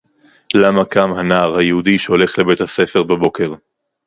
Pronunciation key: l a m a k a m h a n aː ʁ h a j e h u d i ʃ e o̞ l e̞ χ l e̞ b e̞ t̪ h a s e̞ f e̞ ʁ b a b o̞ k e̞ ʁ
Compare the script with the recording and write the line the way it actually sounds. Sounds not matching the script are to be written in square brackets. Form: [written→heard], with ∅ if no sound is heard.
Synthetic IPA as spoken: l a m a k a m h a n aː ʁ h a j e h u d i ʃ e o̞ l e̞ χ l e̞ b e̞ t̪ h a s e̞ f e̞ ʁ b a b o̞ k e̞ ʁ

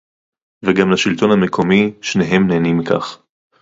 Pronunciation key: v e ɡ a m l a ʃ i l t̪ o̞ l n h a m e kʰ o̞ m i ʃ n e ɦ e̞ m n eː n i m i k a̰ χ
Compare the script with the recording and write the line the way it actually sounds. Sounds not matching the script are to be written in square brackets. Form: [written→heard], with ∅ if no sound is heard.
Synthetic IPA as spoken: v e ɡ a m l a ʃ i l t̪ o̞ [l→∅] n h a m e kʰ o̞ m i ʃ n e ɦ e̞ m n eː n i m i k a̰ χ

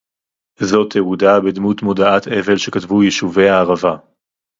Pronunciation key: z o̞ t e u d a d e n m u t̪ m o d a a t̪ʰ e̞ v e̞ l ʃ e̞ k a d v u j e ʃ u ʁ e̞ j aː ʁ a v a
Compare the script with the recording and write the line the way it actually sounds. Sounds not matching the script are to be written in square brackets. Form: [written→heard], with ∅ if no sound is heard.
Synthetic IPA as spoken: z o̞ t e u d a [d→b] e [n→d] m u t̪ m o d a a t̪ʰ e̞ v e̞ l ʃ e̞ k a [d→t] v u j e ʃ u [ʁ→v] e̞ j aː ʁ a v a

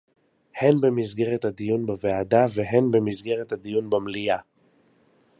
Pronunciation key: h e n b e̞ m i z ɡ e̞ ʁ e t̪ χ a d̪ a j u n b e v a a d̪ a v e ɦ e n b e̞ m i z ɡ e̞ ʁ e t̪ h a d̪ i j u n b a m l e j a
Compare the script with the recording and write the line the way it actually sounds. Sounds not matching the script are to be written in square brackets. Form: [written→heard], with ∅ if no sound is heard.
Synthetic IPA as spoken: h e n b e̞ m i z ɡ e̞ ʁ e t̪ [χ→h] a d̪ [a→i] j u n b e v [a→e] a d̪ a v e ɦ e n b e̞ m i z ɡ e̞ ʁ e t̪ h a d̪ i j u n b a m l [e→i] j a

